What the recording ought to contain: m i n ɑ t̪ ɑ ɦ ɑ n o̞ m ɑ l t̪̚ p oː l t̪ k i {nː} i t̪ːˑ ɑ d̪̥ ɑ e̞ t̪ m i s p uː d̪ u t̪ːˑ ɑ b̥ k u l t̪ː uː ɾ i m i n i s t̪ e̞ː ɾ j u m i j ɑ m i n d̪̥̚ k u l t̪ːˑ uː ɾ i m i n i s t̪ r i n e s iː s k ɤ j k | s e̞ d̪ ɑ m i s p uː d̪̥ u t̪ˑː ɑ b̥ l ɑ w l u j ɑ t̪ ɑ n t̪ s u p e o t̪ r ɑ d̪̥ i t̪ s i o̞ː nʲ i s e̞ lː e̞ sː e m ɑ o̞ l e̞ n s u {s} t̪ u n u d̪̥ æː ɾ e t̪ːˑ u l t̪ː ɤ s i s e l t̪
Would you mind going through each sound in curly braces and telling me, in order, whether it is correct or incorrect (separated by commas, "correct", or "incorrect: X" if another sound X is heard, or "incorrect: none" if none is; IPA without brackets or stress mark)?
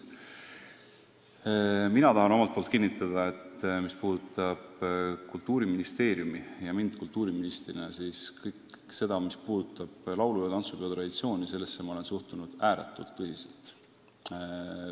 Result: correct, incorrect: h